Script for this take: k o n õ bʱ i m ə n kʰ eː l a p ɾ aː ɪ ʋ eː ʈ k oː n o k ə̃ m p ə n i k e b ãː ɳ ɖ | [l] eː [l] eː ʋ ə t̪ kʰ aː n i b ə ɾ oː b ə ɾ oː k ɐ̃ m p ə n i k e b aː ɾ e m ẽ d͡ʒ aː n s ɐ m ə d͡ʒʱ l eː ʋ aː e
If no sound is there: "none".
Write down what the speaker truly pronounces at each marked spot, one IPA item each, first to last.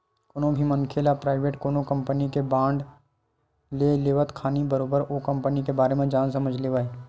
l, l

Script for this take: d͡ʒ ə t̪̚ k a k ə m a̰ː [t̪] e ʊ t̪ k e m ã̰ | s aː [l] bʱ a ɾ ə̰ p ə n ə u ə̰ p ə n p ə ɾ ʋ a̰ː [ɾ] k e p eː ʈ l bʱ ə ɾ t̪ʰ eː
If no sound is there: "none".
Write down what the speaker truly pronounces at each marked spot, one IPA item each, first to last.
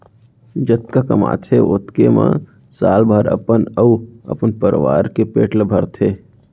t̪ʰ, l, ɾ

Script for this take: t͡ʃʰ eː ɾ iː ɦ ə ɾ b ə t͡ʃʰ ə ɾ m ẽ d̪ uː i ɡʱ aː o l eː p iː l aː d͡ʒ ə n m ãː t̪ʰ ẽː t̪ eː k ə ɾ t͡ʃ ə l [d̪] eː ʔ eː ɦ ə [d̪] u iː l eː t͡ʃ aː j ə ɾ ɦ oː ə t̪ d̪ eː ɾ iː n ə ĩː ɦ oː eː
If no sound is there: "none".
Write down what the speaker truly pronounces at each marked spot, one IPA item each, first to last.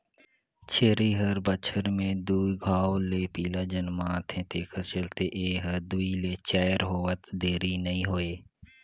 t̪, d̪

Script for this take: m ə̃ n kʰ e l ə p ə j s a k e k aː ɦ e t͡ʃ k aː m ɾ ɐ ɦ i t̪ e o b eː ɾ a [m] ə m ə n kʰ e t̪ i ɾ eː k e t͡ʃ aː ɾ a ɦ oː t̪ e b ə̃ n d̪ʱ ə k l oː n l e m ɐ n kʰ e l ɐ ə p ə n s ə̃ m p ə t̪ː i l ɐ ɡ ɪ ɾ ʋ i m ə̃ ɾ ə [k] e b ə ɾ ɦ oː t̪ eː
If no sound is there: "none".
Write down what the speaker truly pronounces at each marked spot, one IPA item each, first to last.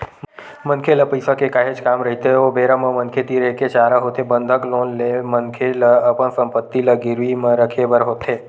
m, kʰ

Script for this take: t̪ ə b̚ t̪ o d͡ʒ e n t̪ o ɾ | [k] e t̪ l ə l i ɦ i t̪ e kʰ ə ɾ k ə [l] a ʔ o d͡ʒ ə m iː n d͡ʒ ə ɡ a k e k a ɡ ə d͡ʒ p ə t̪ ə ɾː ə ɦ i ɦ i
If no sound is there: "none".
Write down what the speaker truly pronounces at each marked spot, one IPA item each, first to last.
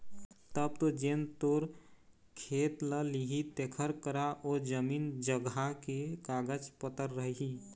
kʰ, ɾ

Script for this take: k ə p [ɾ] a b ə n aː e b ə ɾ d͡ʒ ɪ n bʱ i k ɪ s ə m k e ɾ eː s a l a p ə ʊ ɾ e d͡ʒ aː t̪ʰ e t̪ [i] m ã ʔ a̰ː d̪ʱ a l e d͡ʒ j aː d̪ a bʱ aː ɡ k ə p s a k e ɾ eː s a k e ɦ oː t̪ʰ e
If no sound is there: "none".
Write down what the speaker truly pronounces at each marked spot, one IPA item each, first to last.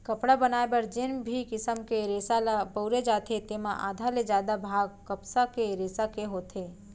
ɽ, e

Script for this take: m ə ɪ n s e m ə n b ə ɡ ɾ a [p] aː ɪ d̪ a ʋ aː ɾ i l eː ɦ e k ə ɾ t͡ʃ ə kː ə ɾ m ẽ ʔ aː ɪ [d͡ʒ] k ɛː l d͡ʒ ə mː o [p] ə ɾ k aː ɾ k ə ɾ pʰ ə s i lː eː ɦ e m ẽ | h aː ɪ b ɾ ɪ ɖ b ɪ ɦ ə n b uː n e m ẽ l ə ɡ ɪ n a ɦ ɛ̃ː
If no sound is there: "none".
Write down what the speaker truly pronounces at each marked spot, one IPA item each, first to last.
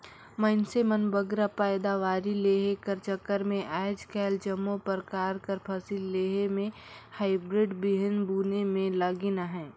p, d͡ʒ, p

